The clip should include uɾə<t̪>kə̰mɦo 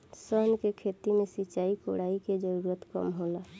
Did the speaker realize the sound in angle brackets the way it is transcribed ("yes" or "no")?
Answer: yes